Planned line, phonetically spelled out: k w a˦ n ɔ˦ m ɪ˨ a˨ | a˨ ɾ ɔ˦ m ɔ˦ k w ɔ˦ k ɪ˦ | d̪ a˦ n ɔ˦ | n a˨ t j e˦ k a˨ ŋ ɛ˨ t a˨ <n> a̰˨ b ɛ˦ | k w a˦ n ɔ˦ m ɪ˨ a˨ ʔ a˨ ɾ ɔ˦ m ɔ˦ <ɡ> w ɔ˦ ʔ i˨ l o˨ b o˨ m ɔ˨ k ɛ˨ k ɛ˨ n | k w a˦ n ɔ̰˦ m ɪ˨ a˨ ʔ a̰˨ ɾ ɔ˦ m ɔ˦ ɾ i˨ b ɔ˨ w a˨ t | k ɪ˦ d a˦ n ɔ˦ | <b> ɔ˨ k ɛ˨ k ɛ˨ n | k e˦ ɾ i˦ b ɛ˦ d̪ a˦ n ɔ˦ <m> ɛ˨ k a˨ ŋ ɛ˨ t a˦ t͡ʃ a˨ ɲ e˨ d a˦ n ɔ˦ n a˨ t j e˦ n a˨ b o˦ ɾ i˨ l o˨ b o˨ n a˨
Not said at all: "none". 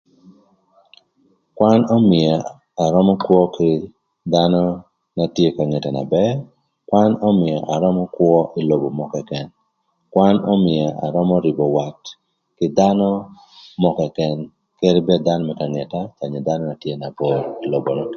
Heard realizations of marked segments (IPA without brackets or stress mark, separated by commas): n, k, m, m